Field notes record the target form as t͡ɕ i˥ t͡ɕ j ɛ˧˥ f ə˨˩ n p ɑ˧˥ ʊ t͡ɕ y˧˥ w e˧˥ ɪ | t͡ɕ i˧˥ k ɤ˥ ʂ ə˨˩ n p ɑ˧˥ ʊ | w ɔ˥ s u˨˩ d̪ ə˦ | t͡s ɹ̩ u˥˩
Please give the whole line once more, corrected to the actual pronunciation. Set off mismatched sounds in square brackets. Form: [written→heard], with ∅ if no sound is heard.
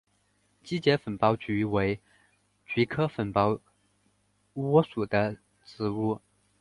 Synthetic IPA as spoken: t͡ɕ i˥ t͡ɕ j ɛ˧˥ f ə˨˩ n p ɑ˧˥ ʊ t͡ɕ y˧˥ w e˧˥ ɪ | t͡ɕ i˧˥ [k→kʰ] ɤ˥ [ʂ→f] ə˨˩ n p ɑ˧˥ ʊ | w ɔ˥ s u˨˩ d̪ ə˦ | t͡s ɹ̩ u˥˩